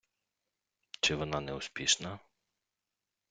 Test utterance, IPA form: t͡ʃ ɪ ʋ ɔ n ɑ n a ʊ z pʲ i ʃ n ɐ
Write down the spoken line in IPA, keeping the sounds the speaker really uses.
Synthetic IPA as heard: t͡ʃ ɪ ʋ ɔ n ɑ n ɛ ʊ s pʲ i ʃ n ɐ